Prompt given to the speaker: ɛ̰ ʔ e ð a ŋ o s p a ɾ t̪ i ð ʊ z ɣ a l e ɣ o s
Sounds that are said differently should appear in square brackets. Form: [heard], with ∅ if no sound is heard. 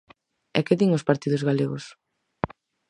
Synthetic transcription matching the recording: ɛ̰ [k] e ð [i] ŋ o s p a ɾ t̪ i ð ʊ z ɣ a l e ɣ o s